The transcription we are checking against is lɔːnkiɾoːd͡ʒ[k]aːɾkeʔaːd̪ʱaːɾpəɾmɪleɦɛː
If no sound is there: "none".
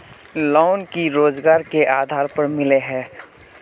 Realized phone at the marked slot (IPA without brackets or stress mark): ɡ